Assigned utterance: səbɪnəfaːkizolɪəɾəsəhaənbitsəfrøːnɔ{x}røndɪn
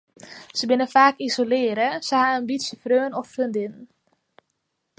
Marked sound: incorrect: f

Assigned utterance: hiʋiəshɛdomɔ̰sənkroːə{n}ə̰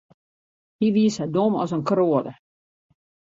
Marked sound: incorrect: d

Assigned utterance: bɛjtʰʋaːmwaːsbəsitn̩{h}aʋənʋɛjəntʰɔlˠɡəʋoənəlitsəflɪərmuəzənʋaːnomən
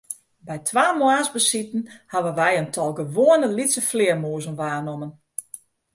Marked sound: correct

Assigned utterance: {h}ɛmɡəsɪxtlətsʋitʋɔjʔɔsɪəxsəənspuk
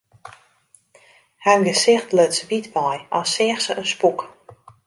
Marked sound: correct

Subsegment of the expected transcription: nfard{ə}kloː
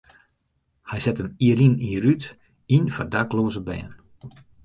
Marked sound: incorrect: a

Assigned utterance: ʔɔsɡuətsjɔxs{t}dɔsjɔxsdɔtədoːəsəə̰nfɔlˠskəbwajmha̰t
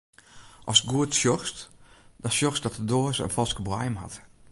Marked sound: correct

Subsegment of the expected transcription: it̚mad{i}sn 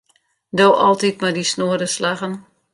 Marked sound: correct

